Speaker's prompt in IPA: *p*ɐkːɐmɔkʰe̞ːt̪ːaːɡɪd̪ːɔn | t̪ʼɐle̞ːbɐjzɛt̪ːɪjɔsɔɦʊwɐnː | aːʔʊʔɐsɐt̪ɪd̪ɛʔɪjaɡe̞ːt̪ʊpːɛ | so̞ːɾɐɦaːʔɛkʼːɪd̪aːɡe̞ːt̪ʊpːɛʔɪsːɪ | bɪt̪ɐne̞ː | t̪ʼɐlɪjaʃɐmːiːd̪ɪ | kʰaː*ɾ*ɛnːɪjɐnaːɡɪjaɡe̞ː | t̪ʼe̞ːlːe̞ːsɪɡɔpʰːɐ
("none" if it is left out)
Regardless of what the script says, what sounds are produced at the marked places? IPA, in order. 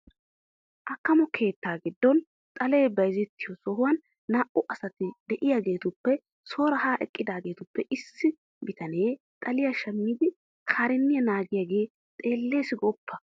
ʔ, ɾ

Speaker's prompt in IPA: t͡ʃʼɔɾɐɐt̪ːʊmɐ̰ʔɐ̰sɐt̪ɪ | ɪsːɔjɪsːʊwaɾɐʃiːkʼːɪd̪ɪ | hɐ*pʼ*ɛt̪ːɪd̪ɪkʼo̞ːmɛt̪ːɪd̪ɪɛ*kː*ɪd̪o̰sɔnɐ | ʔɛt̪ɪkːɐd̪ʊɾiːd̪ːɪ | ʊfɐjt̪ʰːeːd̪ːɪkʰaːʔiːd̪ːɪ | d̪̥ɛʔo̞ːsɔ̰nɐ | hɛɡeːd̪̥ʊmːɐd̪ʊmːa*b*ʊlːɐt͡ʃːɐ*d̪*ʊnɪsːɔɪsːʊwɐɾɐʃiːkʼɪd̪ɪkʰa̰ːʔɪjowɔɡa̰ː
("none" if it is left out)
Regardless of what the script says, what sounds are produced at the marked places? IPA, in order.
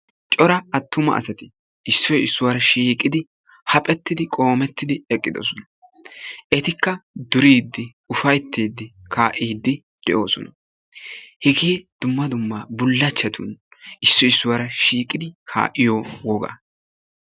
pʼ, kʼː, b, t̪

